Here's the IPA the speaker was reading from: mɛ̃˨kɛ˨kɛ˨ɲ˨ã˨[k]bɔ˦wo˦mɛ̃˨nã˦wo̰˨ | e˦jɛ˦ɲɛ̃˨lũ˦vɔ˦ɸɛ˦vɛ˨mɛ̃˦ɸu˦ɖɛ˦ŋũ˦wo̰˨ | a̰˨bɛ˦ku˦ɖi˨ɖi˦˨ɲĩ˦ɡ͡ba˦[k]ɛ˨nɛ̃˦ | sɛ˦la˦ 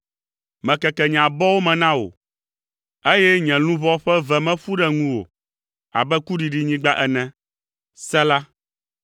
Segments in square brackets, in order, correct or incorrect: incorrect: none, incorrect: ʔ

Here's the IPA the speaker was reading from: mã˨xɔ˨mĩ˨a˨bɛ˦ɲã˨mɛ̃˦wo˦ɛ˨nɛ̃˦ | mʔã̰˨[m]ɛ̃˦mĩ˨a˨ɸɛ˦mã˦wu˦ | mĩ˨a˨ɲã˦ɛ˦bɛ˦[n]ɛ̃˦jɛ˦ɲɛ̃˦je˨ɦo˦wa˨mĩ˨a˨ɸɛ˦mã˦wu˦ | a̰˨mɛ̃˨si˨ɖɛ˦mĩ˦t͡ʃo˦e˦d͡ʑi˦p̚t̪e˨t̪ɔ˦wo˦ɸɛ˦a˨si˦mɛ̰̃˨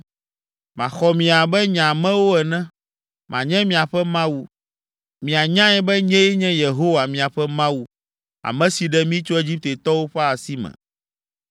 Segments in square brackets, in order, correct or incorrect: incorrect: ɲ, incorrect: ɲ

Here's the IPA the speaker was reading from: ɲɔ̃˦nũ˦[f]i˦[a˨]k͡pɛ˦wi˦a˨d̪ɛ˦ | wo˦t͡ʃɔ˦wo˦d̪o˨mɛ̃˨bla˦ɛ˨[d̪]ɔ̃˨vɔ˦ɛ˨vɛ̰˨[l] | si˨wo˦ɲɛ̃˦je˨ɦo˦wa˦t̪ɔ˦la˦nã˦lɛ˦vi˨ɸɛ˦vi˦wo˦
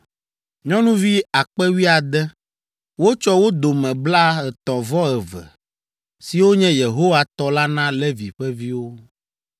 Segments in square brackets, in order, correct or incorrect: incorrect: v, correct, incorrect: t̪, incorrect: none

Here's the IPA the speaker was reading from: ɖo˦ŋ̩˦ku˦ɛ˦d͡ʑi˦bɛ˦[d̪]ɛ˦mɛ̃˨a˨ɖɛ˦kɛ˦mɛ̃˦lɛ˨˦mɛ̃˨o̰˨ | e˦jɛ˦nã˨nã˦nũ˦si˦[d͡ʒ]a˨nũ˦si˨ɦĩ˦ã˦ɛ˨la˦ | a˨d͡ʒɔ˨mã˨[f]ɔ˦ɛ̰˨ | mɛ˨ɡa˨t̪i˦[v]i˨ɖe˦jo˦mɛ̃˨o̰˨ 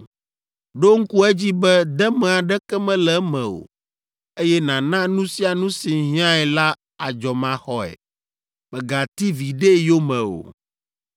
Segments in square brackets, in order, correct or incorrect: correct, incorrect: none, incorrect: x, correct

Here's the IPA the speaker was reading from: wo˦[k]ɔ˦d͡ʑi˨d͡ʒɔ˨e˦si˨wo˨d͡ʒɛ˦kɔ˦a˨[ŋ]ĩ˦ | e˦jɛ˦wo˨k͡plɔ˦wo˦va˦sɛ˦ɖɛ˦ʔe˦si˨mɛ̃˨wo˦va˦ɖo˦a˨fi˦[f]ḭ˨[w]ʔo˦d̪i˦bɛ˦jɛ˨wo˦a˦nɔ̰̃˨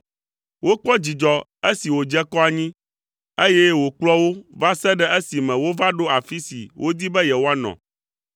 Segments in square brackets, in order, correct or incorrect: incorrect: k͡p, incorrect: ɲ, incorrect: s, correct

